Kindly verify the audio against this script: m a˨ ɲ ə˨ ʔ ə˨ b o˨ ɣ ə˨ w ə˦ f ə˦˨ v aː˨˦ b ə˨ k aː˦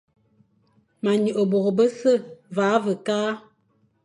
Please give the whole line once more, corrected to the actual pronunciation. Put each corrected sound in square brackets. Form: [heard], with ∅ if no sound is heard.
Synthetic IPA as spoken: m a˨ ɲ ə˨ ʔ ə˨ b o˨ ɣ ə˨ [b] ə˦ [s] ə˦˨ v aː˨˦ [v] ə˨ k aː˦